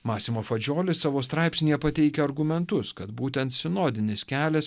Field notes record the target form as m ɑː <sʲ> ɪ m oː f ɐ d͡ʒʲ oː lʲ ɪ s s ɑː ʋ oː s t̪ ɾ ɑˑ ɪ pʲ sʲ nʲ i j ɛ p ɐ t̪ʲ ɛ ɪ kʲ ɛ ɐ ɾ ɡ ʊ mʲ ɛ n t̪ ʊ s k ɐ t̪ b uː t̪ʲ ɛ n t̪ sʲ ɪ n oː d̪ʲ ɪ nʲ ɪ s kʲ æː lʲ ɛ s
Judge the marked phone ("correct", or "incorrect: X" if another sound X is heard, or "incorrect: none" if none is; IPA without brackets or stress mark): correct